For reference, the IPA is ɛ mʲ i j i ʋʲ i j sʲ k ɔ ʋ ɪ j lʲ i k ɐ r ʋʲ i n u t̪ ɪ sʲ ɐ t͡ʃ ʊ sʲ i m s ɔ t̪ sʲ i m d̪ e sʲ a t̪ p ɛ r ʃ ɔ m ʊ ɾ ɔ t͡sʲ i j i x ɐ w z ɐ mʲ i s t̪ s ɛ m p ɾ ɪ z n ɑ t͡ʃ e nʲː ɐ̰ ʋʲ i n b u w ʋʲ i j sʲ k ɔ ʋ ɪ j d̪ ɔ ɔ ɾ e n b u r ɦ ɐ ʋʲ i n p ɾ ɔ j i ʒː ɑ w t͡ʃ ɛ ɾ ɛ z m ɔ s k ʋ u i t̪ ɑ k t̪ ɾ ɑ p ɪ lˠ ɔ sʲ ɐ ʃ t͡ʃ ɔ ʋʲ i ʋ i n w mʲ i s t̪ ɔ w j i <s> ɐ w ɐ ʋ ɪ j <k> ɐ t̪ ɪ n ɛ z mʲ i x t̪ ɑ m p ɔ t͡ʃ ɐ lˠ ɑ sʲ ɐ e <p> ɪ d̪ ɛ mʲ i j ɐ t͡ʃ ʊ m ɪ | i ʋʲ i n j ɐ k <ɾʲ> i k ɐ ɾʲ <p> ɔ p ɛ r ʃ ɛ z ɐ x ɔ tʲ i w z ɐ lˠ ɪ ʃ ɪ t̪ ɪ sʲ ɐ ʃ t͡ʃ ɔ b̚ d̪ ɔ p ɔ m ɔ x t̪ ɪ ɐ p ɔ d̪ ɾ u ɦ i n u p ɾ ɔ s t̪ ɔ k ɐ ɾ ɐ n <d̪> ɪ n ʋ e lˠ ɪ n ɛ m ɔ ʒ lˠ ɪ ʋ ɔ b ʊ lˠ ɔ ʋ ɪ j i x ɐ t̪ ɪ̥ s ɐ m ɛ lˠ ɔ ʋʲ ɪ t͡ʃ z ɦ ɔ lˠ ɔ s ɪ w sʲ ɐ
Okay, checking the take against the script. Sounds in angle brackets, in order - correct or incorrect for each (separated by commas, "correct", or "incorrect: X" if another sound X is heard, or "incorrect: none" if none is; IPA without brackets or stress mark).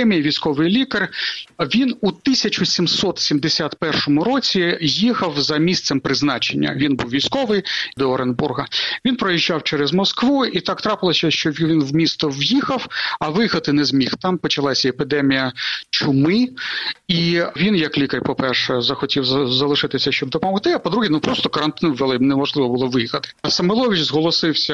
incorrect: x, incorrect: x, correct, incorrect: lʲ, correct, incorrect: t̪